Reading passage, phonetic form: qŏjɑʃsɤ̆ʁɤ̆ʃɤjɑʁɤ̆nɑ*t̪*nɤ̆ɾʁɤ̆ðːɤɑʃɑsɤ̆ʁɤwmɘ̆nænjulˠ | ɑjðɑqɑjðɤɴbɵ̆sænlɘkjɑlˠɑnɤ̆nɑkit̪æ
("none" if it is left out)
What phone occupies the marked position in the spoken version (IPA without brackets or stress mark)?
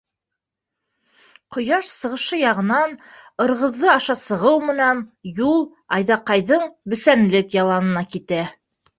none